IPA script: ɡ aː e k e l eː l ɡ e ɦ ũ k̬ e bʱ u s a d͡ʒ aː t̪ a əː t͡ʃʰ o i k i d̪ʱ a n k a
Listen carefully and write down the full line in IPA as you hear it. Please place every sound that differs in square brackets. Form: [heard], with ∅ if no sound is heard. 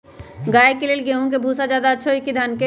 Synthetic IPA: ɡ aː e k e l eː l ɡ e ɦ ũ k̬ e bʱ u s a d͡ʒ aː [d̪] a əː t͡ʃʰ o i k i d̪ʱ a n k [e]